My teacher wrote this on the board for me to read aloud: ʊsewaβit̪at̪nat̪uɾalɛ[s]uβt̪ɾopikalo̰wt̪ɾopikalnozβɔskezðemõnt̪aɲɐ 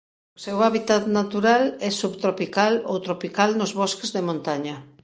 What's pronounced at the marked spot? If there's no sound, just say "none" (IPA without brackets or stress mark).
s